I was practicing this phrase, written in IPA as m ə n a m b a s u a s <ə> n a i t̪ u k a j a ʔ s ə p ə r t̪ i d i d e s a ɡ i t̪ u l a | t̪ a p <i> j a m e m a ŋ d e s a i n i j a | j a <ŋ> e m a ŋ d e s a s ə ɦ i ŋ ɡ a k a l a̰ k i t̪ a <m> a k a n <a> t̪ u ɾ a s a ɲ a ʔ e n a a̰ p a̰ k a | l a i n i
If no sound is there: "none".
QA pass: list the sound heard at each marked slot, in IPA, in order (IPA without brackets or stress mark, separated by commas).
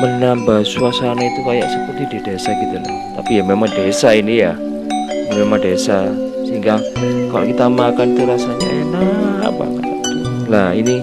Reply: a, i, m, m, i